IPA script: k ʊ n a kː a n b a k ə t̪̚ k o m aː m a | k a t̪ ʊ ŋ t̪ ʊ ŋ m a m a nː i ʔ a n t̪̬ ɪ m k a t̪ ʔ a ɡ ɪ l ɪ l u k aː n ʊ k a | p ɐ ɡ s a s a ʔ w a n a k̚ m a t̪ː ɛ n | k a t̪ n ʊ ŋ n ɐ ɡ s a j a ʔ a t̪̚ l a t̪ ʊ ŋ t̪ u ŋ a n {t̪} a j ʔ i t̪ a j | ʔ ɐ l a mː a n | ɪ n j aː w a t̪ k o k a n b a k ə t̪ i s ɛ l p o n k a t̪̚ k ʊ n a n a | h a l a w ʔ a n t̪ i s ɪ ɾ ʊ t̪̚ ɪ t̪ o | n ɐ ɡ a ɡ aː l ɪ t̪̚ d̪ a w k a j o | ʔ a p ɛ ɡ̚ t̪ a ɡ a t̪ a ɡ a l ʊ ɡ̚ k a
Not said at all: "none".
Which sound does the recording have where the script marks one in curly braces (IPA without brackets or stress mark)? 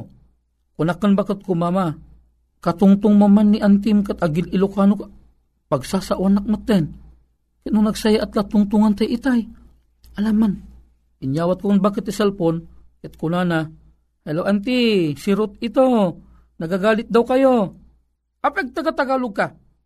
t̪